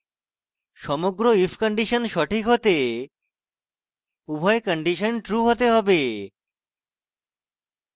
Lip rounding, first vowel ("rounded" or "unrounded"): rounded